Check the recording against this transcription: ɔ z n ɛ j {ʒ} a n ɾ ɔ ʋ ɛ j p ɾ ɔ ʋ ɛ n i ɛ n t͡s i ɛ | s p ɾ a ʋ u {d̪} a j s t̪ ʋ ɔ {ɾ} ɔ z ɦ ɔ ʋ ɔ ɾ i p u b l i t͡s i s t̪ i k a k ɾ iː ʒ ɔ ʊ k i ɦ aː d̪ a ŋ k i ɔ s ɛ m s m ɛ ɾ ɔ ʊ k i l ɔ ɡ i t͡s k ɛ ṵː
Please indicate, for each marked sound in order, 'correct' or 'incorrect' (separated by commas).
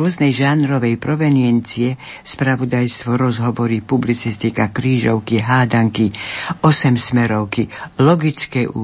correct, correct, correct